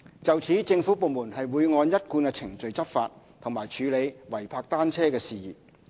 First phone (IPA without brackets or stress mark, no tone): t͡s